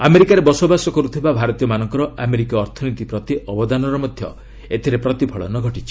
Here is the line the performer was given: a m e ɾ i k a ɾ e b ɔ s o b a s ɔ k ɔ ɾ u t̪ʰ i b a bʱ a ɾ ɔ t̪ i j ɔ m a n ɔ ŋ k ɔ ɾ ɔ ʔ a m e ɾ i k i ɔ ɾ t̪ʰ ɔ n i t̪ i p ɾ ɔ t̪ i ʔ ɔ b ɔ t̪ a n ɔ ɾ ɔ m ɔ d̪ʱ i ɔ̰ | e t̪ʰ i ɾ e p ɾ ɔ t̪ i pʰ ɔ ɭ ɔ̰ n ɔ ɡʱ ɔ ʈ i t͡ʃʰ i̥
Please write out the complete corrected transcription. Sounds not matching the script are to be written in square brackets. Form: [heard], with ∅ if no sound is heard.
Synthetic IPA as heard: a m e ɾ i k a ɾ e b ɔ s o b a s ɔ k ɔ ɾ u t̪ʰ i b a bʱ a ɾ ɔ t̪ i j ɔ m a n ɔ ŋ k ɔ ɾ ɔ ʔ a m e ɾ i k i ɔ ɾ t̪ʰ ɔ n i t̪ i p ɾ ɔ t̪ i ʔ ɔ b ɔ [d̪] a n ɔ ɾ ɔ m ɔ d̪ʱ [j] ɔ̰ | e t̪ʰ i ɾ e p ɾ ɔ t̪ i pʰ ɔ ɭ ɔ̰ n ɔ ɡʱ ɔ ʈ i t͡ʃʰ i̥